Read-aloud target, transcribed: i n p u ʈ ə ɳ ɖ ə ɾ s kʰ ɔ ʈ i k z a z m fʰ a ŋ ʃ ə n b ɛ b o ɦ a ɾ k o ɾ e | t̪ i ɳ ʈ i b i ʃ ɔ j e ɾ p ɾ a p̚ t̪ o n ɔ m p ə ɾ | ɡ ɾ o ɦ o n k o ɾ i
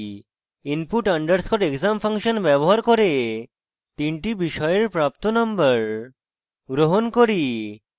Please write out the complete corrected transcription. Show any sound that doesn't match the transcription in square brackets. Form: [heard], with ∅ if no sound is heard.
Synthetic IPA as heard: i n p u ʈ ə ɳ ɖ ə ɾ s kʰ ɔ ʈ [e] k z a [∅] m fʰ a ŋ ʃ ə n b ɛ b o ɦ a ɾ k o ɾ e | t̪ i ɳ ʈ i b i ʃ ɔ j e ɾ p ɾ a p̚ t̪ o n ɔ m [b] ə ɾ | ɡ ɾ o ɦ o n k o ɾ i